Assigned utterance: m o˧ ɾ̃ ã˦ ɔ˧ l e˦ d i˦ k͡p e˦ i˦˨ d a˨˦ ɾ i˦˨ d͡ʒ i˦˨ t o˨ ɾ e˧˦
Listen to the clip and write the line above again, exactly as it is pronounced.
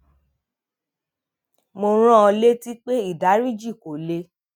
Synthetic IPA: m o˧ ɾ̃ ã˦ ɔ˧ l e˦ t i˦ k͡p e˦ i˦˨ d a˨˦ ɾ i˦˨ d͡ʒ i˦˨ k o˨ l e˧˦

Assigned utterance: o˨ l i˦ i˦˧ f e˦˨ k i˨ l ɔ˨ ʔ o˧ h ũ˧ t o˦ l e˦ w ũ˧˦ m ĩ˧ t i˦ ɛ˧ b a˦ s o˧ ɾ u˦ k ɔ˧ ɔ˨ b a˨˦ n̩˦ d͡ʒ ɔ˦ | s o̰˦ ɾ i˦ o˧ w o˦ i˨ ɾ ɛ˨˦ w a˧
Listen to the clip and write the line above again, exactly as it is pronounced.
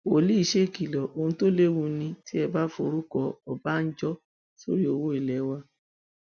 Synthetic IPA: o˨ l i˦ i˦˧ ʃ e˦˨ k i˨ l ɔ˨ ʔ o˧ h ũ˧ t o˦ l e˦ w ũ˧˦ n ĩ˧ t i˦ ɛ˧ b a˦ f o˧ ɾ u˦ k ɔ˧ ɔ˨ b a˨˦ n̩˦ d͡ʒ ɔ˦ | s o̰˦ ɾ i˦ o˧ w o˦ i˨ l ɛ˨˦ w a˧

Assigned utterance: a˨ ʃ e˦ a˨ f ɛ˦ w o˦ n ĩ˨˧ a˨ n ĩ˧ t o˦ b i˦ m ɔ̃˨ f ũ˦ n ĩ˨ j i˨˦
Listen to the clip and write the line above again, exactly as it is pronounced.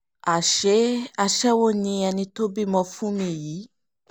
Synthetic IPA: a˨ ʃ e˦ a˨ ʃ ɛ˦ w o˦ n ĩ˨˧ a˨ n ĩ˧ t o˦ b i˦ m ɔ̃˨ f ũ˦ m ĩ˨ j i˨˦

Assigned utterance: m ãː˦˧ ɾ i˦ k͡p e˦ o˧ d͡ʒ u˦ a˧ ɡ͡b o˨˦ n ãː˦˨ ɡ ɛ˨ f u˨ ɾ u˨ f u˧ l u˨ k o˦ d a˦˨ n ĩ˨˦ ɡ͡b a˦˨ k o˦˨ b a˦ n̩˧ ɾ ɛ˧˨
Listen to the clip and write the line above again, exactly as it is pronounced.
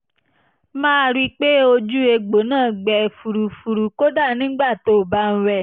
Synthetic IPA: m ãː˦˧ ɾ i˦ k͡p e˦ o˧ d͡ʒ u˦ e˧ ɡ͡b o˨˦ n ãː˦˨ ɡ͡b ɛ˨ f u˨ ɾ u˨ f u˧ ɾ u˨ k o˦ d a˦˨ n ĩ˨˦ ɡ͡b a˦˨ t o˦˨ b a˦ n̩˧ ɾ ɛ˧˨

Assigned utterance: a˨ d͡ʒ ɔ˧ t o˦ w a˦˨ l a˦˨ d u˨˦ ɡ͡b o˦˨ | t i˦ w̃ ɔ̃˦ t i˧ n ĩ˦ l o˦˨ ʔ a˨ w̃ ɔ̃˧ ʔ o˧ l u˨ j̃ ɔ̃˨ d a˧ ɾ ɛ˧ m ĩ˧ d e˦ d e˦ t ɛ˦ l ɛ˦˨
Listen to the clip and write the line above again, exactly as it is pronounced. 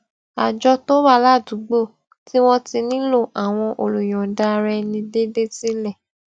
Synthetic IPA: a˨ d͡ʒ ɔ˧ t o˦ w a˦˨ l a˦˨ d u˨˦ ɡ͡b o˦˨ | t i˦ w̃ ɔ̃˦ t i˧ n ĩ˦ l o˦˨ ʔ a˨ w̃ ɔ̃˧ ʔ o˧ l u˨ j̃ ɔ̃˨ d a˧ ɾ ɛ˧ n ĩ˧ d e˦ d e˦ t i˦ l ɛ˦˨

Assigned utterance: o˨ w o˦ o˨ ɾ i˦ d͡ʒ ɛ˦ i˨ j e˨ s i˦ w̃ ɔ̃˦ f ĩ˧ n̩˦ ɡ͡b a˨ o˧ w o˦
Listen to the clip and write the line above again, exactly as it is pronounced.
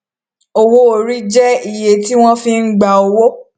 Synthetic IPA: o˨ w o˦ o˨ ɾ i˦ d͡ʒ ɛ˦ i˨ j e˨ t i˦ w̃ ɔ̃˦ f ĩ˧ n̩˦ ɡ͡b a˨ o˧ w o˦

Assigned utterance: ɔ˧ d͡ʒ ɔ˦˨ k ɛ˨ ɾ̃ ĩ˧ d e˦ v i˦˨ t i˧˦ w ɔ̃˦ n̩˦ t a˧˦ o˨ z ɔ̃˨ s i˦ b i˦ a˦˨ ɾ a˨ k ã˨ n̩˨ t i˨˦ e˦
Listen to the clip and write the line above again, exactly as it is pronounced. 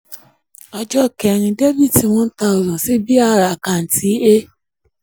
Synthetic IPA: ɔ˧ d͡ʒ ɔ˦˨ k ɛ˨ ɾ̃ ĩ˧ d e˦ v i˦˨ t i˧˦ w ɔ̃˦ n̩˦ t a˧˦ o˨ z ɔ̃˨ s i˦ b i˦ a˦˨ ɾ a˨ k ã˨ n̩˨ t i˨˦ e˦

